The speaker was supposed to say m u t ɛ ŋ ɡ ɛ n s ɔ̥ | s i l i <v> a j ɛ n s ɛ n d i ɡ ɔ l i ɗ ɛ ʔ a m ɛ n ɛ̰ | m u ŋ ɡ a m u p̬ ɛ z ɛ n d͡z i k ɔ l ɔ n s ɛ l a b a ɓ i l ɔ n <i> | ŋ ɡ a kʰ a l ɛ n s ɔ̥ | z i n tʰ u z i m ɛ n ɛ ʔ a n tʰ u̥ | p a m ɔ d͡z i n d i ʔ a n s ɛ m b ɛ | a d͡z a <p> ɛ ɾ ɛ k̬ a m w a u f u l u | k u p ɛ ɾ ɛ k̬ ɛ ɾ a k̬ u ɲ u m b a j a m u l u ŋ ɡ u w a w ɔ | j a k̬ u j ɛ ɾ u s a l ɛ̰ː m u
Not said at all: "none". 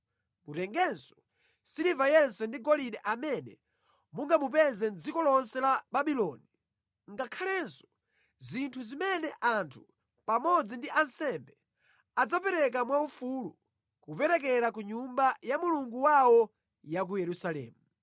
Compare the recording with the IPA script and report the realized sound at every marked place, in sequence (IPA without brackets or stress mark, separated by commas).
v, i, p